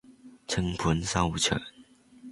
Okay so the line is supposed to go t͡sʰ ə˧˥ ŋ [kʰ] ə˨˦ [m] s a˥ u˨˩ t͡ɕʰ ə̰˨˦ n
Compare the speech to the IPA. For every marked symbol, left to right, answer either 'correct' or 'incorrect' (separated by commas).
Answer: incorrect, incorrect